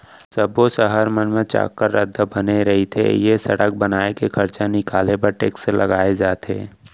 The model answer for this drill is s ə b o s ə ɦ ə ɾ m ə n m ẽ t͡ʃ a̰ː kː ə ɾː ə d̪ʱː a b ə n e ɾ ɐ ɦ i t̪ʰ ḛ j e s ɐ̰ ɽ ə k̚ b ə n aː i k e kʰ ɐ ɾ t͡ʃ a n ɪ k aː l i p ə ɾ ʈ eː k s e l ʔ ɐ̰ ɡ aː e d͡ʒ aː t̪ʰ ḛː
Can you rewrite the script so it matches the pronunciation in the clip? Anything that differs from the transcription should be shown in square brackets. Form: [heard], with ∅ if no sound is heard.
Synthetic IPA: s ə b o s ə ɦ ə ɾ m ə n m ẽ t͡ʃ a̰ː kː ə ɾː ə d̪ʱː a b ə n e ɾ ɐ ɦ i t̪ʰ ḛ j e s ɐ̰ ɽ ə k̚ b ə n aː [e] k e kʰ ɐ ɾ t͡ʃ a n ɪ k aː l [e] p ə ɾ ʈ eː k s e l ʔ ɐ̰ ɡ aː e d͡ʒ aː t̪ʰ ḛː

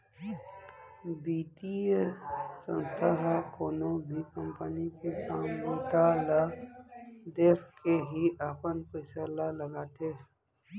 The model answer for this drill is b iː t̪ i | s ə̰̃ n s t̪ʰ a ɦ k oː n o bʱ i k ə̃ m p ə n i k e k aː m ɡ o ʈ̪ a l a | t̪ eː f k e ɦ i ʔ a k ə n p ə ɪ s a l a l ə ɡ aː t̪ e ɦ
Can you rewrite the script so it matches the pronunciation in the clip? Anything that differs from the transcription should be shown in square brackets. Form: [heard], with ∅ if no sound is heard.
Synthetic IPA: b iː t̪ i | s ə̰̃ n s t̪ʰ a ɦ k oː n o bʱ i k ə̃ m p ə n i k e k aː m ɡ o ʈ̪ a l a | [d̪] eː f k e ɦ i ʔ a [p] ə n p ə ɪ s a l a l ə ɡ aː t̪ e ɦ

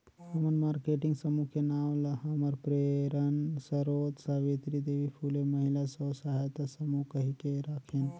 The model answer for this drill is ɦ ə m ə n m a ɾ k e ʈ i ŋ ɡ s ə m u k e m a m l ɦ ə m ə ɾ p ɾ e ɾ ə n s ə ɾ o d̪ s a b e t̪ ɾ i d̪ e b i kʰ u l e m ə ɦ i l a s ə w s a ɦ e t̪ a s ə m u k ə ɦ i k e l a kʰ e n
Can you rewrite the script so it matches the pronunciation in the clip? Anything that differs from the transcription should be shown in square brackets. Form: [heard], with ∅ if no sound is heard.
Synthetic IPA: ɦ ə m ə n m a ɾ k e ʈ i ŋ ɡ s ə m u k e [n] a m l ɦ ə m ə ɾ p ɾ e ɾ ə n s ə ɾ o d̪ s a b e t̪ ɾ i d̪ e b i [pʰ] u l e m ə ɦ i l a s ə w s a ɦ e t̪ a s ə m u k ə ɦ i k e [ɾ] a kʰ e n

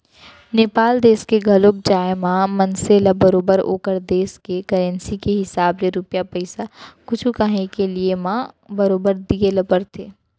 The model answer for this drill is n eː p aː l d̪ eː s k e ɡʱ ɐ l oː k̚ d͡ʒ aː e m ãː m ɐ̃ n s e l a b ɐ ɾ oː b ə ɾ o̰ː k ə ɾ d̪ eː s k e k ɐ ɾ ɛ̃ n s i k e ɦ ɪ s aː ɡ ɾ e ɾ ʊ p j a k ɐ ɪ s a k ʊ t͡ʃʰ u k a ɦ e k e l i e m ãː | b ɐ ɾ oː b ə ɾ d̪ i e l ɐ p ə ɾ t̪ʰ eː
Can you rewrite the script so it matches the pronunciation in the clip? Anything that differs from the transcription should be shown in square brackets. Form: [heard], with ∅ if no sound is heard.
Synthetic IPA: n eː p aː l d̪ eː s k e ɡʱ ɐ l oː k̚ d͡ʒ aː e m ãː m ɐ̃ n s e l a b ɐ ɾ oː b ə ɾ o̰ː k ə ɾ d̪ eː s k e k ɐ ɾ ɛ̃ n s i k e ɦ ɪ s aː [b] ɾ e ɾ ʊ p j a [p] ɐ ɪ s a k ʊ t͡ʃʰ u k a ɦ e k e l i e m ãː | b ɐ ɾ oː b ə ɾ d̪ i e l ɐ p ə ɾ t̪ʰ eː

